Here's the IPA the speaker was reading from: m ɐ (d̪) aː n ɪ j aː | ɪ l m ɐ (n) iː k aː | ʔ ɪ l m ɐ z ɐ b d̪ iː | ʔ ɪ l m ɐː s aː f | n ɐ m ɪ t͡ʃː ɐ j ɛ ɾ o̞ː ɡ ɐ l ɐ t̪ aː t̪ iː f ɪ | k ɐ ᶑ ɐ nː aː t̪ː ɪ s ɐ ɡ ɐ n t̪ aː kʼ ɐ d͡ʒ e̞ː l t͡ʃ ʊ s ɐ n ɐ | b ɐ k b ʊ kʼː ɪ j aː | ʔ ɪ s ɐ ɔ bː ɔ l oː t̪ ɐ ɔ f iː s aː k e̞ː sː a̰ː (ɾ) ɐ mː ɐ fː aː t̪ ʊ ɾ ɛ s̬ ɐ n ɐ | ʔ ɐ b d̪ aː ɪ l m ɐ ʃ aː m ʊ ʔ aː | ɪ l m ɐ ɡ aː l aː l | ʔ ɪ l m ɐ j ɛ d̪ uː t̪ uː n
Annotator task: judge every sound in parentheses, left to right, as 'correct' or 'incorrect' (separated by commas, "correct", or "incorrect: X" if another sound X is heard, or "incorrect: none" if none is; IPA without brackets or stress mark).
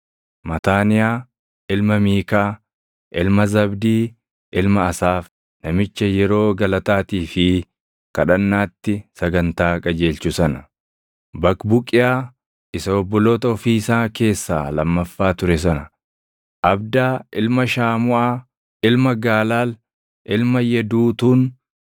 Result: incorrect: t̪, incorrect: m, incorrect: l